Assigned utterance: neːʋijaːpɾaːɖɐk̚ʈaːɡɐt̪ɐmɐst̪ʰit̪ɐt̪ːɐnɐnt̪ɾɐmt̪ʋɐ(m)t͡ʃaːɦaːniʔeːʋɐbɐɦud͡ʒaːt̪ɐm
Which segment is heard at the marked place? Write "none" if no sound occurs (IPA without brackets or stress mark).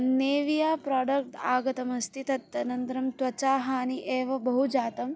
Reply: none